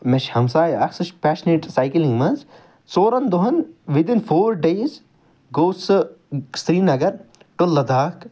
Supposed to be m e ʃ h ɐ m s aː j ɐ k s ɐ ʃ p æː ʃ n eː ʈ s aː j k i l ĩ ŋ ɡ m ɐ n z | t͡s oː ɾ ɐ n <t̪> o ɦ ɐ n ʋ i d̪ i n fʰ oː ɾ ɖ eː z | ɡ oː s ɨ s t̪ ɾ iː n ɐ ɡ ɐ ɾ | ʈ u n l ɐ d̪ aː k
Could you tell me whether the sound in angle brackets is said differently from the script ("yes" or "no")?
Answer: yes